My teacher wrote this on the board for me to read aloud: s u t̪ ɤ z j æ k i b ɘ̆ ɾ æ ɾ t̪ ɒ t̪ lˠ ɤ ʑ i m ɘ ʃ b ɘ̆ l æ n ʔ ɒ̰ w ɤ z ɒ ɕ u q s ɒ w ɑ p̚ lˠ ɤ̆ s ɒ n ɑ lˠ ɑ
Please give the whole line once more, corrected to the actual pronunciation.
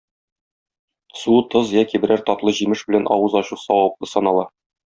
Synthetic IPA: s u t̪ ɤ z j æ k i b ɘ̆ ɾ æ ɾ t̪ ɒ t̪ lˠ ɤ ʑ i m ɘ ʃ b ɘ̆ l æ n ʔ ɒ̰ w ɤ z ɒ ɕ u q s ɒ w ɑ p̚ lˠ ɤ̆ s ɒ n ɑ lˠ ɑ